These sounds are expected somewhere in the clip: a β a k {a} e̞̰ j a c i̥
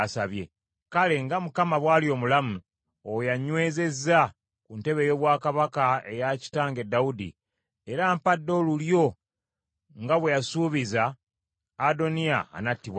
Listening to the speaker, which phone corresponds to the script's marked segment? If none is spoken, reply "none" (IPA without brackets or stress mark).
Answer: a